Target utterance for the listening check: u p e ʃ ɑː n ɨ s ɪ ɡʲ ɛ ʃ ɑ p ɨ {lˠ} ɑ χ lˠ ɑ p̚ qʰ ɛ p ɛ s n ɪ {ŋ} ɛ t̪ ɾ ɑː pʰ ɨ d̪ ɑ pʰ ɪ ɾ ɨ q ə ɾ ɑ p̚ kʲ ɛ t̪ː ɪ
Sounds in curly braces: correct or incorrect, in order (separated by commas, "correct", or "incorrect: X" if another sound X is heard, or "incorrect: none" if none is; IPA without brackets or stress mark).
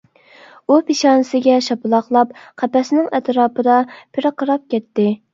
correct, correct